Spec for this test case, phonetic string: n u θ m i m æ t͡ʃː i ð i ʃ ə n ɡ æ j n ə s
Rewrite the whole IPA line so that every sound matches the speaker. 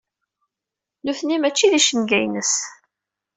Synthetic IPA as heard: n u θ n i m æ t͡ʃː i ð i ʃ ə n ɡ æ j n ə s